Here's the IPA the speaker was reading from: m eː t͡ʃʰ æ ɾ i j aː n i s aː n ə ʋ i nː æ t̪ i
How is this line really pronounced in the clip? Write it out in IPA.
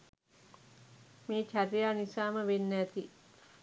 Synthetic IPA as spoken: m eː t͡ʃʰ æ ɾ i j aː n i s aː m ə ʋ e nː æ t̪ i